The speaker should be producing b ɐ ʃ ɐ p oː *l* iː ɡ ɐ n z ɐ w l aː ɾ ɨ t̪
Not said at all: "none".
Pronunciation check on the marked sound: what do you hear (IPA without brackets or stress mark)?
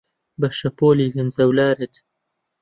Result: l